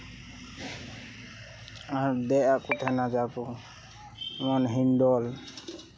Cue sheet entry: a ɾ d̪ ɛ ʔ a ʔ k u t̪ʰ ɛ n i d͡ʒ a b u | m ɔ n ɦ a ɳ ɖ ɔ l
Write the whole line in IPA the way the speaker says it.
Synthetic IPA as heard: a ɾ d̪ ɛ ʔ a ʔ k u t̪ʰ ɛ n a d͡ʒ a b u | m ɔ n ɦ i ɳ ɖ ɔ l